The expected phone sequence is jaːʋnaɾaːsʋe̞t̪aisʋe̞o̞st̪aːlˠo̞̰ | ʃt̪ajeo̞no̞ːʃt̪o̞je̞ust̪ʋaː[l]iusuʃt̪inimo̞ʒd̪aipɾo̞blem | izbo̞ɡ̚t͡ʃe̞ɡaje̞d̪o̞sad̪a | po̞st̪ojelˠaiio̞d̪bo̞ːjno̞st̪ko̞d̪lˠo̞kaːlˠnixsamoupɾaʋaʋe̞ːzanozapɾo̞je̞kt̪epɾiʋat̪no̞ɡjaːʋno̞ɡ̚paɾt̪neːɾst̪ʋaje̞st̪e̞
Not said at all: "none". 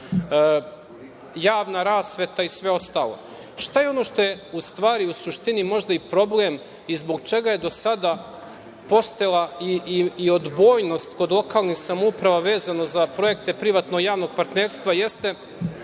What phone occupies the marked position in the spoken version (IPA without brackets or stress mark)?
ɾ